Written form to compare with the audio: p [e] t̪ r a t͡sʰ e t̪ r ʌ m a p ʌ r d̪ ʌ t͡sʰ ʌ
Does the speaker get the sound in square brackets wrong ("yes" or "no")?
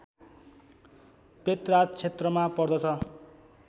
no